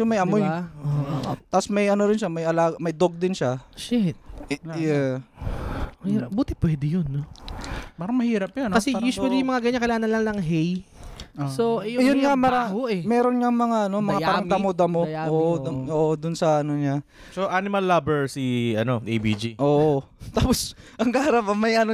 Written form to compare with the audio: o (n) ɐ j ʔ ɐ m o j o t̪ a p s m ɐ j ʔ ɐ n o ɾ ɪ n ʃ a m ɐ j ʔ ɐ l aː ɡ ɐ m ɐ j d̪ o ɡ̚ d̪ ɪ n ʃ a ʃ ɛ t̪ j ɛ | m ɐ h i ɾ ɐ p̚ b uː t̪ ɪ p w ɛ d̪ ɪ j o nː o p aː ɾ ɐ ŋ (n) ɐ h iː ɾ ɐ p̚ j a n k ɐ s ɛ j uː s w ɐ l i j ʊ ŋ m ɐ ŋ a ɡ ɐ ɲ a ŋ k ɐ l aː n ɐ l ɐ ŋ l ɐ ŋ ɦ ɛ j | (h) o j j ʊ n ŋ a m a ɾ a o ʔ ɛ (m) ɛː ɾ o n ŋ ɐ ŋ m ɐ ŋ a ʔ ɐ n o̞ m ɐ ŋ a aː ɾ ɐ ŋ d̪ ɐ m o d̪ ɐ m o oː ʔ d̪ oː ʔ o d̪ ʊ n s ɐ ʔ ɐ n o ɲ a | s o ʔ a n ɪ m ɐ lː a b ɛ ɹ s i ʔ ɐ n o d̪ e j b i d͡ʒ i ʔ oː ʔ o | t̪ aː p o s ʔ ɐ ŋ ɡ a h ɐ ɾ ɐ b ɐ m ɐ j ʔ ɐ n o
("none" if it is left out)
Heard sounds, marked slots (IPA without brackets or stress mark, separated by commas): m, m, s, m